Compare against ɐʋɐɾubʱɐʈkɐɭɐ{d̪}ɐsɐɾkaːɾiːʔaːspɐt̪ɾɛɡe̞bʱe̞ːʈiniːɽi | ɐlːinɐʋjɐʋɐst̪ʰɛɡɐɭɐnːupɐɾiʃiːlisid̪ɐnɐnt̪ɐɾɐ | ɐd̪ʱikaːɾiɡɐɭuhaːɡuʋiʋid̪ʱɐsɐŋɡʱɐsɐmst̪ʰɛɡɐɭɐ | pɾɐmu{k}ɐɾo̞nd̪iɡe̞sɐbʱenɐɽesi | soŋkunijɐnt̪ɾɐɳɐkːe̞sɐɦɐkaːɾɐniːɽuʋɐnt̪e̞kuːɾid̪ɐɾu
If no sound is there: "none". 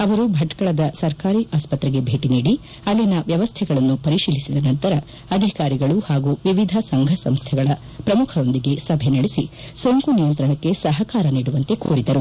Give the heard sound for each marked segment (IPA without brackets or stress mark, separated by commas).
d̪, kʰ